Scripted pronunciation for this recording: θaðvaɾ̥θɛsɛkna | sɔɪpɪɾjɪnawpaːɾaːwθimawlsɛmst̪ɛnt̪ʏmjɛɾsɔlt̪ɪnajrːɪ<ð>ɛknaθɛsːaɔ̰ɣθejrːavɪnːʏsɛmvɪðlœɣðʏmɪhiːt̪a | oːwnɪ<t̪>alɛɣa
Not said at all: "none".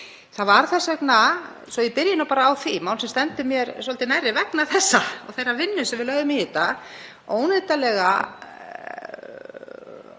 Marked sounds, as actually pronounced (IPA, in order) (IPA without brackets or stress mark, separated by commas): v, t̪